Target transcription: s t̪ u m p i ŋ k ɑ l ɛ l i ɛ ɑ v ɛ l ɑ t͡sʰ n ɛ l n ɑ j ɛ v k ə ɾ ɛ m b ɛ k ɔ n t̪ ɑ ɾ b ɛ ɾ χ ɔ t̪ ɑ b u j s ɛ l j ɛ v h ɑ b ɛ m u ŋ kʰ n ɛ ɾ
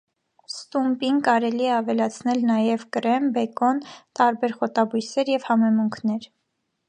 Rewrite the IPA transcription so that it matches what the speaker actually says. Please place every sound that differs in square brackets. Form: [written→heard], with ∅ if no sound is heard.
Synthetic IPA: s t̪ u m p i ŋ k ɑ [l→ɾ] ɛ l i ɛ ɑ v ɛ l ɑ t͡sʰ n ɛ l n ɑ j ɛ v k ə ɾ ɛ m b ɛ k ɔ n t̪ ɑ ɾ b ɛ ɾ χ ɔ t̪ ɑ b u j s ɛ [l→ɾ] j ɛ v h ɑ [b→m] ɛ m u ŋ kʰ n ɛ ɾ